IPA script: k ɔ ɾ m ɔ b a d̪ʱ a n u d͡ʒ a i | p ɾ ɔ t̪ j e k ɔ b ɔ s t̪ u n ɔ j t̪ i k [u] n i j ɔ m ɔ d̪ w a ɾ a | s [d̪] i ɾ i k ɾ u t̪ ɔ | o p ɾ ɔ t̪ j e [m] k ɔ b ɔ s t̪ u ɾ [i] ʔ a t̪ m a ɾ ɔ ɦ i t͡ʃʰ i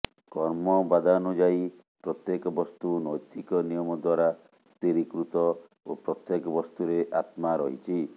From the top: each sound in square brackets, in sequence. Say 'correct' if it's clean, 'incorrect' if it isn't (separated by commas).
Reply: incorrect, incorrect, incorrect, incorrect